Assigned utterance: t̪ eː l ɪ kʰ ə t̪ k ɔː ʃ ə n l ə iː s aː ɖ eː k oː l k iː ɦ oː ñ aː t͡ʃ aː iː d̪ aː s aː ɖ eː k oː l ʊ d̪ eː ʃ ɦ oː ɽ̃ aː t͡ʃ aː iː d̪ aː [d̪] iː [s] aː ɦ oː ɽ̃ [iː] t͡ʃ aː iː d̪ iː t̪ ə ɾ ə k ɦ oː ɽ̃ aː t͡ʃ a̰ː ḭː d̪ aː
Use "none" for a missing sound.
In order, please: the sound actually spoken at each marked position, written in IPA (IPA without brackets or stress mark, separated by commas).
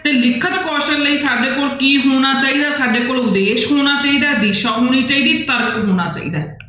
d̪, ʃ, iː